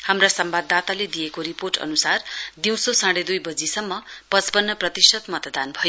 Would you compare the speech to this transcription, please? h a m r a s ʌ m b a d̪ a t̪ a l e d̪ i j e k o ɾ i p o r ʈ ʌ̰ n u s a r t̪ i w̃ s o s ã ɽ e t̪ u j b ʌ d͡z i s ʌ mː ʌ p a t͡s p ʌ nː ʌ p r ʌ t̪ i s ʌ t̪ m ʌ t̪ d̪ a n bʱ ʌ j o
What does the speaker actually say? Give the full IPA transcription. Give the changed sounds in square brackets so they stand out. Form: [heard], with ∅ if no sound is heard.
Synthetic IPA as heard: h a m r a s ʌ m b a d̪ a t̪ a l e d̪ i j e k o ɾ i p o r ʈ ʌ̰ n u s a r [d̪] i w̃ s o s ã ɽ e [d̪] u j b ʌ d͡z i s ʌ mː ʌ p [ʌ] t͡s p ʌ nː ʌ p r ʌ t̪ i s ʌ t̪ m ʌ t̪ d̪ a n bʱ ʌ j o